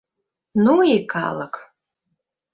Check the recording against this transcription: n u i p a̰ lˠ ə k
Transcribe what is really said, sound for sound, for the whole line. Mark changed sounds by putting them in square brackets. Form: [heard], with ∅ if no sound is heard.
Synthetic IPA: n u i [k] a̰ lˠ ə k